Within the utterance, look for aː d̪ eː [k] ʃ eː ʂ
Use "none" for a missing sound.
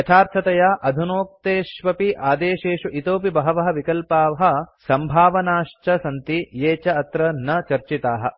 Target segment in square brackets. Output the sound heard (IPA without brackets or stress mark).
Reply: none